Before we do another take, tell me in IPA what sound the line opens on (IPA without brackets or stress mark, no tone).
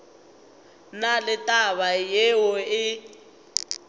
n